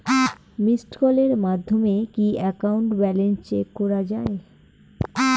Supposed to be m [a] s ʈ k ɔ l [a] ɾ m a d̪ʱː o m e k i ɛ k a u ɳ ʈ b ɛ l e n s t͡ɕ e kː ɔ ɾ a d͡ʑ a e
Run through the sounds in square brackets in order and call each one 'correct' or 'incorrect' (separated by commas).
incorrect, incorrect